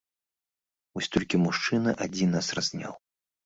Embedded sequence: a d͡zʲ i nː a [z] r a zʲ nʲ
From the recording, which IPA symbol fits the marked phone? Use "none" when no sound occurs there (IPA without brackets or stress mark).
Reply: s